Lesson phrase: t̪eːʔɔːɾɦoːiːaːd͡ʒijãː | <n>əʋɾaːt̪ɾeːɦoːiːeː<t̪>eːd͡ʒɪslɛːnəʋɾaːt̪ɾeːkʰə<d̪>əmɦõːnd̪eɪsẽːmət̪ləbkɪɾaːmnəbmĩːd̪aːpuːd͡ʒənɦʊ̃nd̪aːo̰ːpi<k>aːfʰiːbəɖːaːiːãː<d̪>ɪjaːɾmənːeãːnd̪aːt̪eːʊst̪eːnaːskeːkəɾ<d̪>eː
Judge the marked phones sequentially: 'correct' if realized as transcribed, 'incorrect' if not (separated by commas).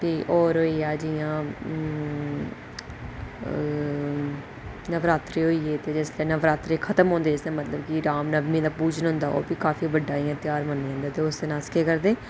correct, correct, incorrect, correct, incorrect, correct